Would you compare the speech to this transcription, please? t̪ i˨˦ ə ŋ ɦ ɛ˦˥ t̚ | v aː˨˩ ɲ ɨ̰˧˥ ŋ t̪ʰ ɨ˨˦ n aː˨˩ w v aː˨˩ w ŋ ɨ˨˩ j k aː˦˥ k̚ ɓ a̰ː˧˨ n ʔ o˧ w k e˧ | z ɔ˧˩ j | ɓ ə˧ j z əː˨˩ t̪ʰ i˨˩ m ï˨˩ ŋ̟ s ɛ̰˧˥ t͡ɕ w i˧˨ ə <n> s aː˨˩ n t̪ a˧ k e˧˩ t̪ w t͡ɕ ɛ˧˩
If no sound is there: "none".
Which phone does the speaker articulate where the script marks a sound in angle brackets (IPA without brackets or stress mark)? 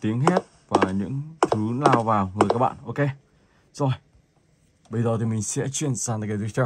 n